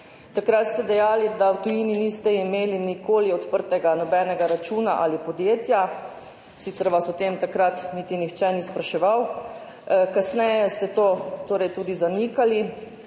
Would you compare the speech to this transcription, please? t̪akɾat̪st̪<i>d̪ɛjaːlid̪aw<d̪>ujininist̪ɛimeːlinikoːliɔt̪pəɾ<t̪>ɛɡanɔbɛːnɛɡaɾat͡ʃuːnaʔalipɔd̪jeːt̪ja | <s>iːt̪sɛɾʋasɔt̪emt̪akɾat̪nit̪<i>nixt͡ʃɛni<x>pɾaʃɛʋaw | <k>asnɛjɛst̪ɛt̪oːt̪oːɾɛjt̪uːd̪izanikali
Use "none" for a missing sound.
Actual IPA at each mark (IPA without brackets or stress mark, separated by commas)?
ɛ, t̪, t̪, s, i, s, k